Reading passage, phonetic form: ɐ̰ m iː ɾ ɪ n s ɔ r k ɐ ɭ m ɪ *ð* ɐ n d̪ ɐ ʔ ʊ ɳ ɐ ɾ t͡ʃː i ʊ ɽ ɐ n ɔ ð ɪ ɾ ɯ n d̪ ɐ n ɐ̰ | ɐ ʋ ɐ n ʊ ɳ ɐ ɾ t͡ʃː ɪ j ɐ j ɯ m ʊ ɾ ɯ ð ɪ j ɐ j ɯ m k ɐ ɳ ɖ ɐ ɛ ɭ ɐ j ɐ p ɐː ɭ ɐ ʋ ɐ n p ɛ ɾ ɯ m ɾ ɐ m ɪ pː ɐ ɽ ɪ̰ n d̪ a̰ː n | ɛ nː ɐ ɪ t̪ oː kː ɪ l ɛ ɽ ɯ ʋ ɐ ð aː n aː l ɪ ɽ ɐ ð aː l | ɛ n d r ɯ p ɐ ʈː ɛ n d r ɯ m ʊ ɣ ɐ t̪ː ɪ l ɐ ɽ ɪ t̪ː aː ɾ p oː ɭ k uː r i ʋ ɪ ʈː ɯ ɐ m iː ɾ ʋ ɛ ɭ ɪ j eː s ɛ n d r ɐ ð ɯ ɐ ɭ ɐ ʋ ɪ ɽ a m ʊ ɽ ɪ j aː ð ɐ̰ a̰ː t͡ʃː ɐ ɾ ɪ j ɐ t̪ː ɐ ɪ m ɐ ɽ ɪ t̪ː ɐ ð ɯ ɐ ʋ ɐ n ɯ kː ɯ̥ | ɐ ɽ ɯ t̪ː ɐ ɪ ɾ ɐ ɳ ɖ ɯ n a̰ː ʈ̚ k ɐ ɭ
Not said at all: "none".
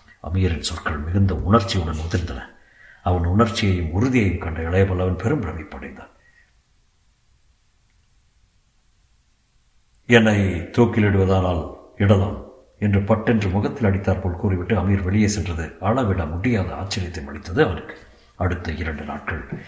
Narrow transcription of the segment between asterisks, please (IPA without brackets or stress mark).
ɣ